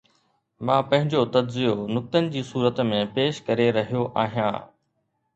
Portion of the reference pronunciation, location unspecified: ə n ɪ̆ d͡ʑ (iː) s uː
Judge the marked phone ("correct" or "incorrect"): correct